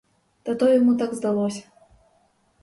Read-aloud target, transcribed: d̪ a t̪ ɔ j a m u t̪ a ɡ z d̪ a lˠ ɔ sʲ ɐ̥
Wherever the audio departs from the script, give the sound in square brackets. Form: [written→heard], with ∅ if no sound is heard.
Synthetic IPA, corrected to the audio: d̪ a t̪ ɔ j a m u t̪ a ɡ z d̪ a lˠ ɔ sʲ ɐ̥